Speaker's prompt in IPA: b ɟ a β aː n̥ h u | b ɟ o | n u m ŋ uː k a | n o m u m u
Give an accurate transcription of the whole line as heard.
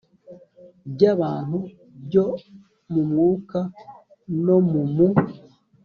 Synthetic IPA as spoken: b ɟ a β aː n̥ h u | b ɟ o | m u m ŋ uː k a | n o m u m u